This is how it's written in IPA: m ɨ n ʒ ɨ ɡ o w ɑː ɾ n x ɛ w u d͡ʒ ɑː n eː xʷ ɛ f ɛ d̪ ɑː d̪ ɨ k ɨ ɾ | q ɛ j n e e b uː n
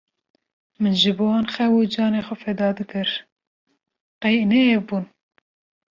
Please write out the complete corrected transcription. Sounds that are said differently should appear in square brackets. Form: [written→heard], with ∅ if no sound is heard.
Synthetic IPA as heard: m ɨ n ʒ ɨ [ɡ→b] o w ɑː [ɾ→∅] n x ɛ w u d͡ʒ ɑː n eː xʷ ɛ f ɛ d̪ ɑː d̪ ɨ k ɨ ɾ | q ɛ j n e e b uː n